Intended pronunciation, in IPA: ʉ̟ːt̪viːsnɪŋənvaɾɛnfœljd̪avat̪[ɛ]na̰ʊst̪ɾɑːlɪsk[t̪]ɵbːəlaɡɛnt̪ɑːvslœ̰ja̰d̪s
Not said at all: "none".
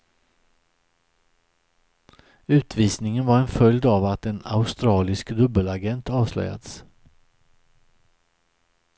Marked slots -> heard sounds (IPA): ɛ, d̪

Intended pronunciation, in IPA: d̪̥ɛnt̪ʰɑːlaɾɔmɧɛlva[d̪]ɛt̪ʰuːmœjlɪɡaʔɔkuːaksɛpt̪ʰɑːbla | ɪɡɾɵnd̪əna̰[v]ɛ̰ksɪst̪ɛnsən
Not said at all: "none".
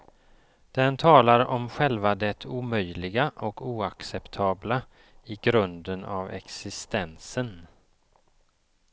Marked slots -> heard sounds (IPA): d̪, v

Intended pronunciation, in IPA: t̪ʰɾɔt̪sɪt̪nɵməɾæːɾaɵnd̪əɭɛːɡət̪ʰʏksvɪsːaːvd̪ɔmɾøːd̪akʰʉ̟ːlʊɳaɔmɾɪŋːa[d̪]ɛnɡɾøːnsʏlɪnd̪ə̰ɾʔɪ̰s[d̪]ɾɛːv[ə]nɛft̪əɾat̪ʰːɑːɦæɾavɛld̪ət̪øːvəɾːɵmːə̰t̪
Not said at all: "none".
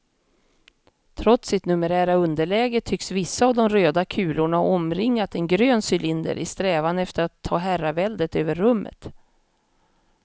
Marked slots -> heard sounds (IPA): t̪, t̪, a

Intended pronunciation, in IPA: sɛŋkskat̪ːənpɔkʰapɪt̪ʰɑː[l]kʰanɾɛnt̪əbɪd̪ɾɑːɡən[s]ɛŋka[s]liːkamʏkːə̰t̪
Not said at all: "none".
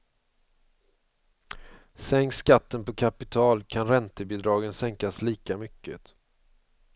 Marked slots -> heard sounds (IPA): l, s, s

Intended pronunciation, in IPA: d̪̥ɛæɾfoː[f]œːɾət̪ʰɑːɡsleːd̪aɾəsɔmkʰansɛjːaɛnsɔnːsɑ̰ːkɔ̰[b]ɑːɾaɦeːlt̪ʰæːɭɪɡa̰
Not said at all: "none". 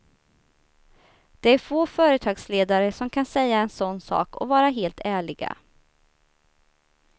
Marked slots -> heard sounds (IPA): f, v

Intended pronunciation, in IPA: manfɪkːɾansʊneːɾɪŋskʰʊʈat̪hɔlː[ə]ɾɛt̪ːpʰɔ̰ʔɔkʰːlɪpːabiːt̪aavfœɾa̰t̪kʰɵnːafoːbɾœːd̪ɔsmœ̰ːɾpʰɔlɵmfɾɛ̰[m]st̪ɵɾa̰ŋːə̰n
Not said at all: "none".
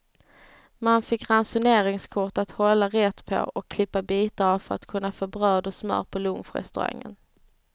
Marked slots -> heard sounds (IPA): a, none

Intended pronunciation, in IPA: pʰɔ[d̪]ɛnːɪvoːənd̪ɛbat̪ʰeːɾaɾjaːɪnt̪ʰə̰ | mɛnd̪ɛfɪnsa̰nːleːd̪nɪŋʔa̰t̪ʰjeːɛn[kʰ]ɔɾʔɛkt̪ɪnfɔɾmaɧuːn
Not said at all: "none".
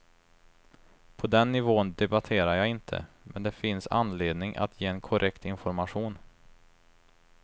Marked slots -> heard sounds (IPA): d̪, kʰ

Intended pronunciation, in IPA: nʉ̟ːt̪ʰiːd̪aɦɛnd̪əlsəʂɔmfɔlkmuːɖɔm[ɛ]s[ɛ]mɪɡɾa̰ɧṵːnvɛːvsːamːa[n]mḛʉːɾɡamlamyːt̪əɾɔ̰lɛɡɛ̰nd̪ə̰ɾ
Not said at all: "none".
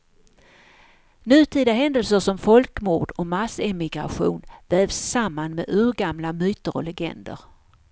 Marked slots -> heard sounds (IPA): a, ɛ, n

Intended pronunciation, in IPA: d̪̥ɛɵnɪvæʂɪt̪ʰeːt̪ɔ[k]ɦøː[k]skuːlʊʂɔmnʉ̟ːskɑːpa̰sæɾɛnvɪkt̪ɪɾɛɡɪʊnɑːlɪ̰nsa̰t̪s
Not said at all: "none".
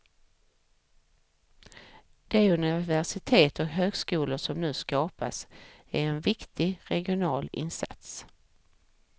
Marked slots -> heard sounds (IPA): k, ɡ

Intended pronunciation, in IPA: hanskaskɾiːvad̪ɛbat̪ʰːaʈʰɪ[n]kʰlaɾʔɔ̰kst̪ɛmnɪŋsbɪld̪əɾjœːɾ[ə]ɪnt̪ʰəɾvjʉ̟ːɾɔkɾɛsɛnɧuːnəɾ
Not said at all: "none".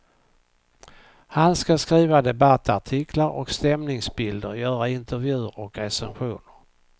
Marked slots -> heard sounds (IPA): none, a

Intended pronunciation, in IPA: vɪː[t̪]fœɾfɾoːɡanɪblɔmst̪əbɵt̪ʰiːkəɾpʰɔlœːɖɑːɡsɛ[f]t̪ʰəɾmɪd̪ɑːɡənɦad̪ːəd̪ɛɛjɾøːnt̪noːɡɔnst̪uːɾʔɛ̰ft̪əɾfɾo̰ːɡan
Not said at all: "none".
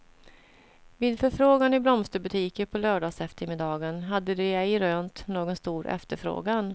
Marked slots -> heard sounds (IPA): d̪, f

